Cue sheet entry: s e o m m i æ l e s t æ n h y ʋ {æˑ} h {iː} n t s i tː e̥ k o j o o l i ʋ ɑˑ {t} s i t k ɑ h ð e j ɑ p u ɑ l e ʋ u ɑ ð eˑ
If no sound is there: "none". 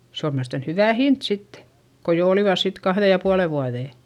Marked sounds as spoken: æˑ, i, s

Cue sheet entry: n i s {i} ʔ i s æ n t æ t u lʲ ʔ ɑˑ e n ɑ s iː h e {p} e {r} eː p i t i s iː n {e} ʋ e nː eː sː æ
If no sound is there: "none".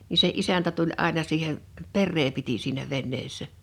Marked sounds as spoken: e, p, rː, æ

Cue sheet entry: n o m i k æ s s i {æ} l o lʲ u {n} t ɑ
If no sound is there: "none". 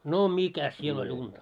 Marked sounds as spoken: e, n

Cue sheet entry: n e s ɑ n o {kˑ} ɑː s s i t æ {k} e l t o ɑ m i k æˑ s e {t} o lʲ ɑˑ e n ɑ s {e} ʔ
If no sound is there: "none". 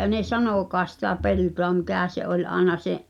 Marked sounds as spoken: kˑ, p, ʔ, e

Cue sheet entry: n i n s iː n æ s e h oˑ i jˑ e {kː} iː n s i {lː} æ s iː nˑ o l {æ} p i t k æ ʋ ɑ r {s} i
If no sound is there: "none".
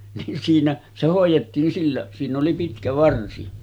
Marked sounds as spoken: tː, lː, i, s

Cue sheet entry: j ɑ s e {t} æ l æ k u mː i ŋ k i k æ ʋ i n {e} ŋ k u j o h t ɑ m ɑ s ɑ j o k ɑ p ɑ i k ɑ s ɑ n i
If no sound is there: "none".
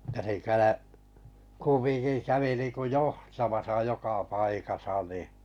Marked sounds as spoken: k, i

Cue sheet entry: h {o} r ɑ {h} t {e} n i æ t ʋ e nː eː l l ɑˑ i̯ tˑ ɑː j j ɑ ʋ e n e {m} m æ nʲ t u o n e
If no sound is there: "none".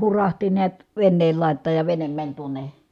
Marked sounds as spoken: u, h, i, m

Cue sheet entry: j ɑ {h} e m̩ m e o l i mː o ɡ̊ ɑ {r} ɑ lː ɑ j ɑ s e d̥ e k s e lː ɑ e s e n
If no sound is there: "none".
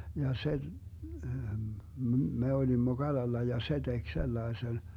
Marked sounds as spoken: s, l

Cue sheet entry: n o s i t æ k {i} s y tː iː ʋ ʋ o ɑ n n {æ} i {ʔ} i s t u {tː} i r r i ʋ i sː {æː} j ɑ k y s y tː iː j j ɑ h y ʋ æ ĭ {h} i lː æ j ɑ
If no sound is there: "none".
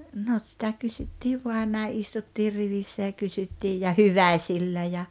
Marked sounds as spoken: y, æ, ʔ, tː, æ, s

